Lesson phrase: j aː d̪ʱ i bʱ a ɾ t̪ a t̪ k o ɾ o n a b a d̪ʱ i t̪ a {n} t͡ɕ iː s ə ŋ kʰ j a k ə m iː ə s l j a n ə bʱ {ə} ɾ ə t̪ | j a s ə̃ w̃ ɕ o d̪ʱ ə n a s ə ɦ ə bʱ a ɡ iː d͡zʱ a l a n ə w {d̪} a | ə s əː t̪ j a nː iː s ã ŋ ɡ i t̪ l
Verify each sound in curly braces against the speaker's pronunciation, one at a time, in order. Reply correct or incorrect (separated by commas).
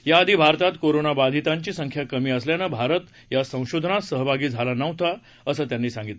incorrect, incorrect, incorrect